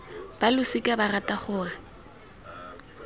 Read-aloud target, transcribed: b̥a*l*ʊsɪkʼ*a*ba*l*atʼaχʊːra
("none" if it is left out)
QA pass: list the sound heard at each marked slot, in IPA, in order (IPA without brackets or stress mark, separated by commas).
l, a, r